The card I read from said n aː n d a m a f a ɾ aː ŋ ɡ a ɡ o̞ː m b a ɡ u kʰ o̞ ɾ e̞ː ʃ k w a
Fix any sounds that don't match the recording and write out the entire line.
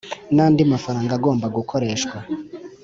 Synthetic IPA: n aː n d i m a f a ɾ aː ŋ ɡ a ɡ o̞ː m b a ɡ u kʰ o̞ ɾ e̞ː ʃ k w a